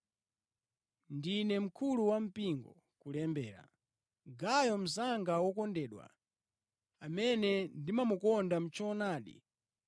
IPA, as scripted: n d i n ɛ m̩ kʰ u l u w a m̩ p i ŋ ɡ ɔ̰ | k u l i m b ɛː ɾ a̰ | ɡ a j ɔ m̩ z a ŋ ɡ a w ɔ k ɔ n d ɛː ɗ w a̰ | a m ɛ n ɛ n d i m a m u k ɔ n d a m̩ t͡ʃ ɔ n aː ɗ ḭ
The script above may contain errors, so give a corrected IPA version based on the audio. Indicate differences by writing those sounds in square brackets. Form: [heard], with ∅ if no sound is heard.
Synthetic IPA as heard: n d i n ɛ m̩ kʰ u l u w a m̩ p i ŋ ɡ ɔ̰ | k u l [ɛ] m b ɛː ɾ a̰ | ɡ a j ɔ m̩ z a ŋ ɡ a w ɔ k ɔ n d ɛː ɗ w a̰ | a m ɛ n ɛ n d i m a m u k ɔ n d a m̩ t͡ʃ ɔ n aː ɗ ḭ